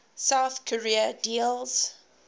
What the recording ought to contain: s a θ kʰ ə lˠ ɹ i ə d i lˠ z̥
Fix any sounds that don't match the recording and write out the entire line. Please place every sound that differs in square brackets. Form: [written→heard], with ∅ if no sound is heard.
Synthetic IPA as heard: s a θ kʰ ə [lˠ→∅] ɹ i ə d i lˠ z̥